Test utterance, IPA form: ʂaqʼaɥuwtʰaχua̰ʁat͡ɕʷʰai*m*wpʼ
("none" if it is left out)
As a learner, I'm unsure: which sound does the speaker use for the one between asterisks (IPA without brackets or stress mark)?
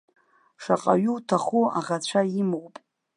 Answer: m